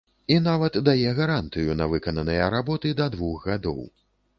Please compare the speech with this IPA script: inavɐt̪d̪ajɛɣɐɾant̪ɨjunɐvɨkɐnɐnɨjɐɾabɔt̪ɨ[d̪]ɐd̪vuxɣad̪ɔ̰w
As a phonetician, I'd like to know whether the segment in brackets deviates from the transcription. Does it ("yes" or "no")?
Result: no